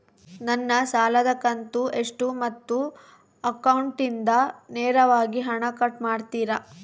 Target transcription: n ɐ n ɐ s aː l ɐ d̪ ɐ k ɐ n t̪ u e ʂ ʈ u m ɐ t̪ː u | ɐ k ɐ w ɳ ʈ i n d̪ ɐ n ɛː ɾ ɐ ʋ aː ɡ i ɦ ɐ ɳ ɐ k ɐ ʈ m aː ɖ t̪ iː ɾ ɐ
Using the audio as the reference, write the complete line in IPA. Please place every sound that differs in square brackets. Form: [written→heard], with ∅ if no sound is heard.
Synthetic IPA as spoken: n ɐ [n→nː] ɐ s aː l ɐ d̪ ɐ k ɐ n t̪ u e ʂ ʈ u m ɐ t̪ː u | ɐ k ɐ w ɳ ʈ i n d̪ ɐ n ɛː ɾ ɐ ʋ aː ɡ i ɦ ɐ ɳ ɐ k ɐ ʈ m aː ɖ t̪ iː ɾ ɐ